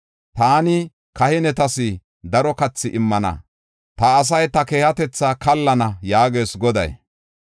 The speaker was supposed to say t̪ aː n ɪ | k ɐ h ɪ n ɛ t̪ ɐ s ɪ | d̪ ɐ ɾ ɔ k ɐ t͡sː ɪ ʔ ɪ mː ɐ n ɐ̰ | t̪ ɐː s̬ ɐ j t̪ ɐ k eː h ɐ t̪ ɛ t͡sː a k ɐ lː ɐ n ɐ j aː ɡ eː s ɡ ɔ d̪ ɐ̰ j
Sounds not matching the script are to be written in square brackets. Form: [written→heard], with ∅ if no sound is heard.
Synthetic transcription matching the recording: t̪ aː n ɪ | k ɐ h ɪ n ɛ t̪ ɐ s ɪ | d̪ ɐ ɾ ɔ k ɐ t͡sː ɪ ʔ ɪ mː ɐ n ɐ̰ | t̪ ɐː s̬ ɐ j t̪ ɐ k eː h ɐ t̪ ɛ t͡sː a k ɐ lː ɐ n ɐ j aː ɡ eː s ɡ ɔ d̪ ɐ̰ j